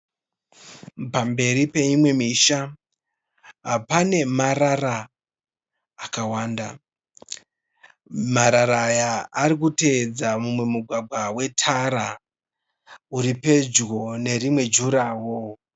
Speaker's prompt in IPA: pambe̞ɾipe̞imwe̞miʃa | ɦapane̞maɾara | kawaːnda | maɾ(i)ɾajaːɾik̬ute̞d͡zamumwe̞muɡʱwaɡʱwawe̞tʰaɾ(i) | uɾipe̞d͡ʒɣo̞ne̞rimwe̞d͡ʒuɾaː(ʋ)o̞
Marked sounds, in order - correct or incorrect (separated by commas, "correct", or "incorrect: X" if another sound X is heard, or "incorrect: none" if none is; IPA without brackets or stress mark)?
incorrect: a, incorrect: a, incorrect: w